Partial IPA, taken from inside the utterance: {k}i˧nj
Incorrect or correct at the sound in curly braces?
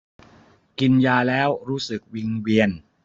correct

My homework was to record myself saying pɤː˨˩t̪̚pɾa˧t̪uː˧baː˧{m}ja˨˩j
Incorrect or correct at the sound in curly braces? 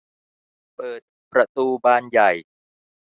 incorrect: n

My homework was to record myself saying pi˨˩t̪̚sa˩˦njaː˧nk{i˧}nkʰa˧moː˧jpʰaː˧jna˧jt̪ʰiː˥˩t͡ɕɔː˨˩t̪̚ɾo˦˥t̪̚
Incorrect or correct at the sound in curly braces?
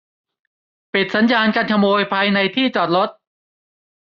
incorrect: a˧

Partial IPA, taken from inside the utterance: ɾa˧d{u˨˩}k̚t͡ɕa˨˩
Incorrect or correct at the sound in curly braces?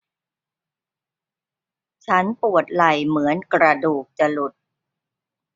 incorrect: uː˨˩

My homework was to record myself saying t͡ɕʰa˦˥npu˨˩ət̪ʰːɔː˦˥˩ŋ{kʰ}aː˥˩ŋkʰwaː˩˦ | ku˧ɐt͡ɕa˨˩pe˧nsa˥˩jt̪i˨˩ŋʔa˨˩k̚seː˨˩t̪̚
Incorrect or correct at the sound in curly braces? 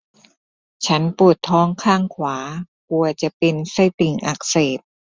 correct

